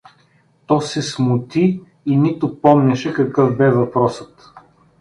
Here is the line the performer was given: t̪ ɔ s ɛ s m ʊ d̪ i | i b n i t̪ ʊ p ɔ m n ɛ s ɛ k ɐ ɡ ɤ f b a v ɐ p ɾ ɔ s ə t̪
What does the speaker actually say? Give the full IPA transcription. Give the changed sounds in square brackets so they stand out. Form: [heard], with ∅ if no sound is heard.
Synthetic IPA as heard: t̪ ɔ s ɛ s m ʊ [t̪] i | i [∅] n i t̪ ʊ p ɔ m n ɛ [ʃ] ɛ k ɐ [k] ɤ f b [ɛ] v ɐ p ɾ ɔ s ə t̪